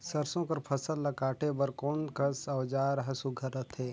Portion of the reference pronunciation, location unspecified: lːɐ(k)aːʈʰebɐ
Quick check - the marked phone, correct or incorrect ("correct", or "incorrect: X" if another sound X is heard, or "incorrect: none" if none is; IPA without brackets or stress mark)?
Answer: correct